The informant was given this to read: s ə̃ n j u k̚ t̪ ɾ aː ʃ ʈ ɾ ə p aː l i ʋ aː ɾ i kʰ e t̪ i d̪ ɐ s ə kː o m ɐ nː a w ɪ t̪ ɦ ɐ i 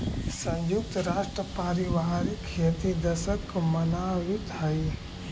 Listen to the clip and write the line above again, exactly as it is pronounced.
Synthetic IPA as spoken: s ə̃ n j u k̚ t̪ ɾ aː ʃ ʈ ɾ ə p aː ɾ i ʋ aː ɾ i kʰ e t̪ i d̪ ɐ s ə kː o m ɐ n a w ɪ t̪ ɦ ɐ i